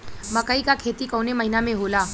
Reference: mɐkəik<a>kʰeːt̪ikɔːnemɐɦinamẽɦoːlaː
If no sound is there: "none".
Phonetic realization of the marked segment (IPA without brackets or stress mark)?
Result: a